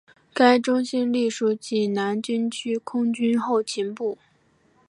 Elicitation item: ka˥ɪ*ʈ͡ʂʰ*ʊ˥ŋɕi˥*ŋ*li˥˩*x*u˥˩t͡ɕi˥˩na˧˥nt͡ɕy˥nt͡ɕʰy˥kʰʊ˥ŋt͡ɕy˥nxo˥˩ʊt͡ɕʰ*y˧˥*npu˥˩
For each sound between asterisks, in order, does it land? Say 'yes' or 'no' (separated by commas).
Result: no, no, no, no